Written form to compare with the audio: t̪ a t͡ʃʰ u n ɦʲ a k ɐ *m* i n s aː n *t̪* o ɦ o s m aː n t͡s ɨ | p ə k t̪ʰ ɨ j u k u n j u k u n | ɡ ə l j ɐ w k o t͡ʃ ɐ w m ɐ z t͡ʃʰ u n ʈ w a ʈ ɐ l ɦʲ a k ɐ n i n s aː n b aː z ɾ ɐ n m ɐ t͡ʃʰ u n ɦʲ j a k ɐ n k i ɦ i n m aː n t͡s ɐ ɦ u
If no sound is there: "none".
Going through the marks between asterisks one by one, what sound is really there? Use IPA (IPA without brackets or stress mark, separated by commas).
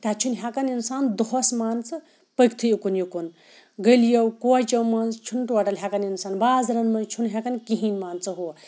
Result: n, d̪